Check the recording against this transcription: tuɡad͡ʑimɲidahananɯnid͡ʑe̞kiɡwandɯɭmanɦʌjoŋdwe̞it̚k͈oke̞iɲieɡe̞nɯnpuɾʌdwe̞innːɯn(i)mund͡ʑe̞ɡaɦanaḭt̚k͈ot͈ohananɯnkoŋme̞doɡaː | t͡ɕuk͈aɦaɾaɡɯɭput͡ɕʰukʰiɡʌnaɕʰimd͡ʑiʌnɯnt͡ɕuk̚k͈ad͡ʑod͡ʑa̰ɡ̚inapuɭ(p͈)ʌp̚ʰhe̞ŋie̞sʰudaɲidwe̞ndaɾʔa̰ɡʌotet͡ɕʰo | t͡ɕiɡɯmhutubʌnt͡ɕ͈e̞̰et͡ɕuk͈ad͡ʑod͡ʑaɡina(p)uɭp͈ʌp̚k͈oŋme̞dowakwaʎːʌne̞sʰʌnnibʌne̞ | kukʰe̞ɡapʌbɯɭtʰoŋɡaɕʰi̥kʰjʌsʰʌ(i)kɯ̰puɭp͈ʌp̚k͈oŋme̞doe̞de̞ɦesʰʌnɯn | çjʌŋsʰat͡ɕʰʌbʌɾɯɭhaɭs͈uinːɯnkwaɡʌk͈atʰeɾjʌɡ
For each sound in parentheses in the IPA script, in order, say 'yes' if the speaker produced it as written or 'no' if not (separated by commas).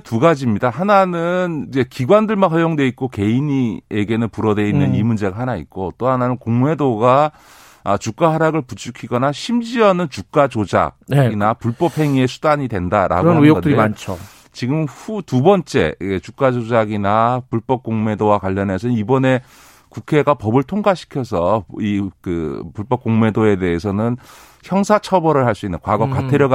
yes, yes, yes, yes